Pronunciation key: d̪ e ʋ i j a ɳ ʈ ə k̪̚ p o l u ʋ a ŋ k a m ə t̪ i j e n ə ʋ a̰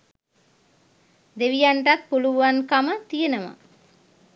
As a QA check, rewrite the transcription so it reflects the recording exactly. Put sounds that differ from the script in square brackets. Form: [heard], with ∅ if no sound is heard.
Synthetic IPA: d̪ e ʋ i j a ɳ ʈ [a] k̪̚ p [u] l u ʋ a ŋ k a m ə t̪ i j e n ə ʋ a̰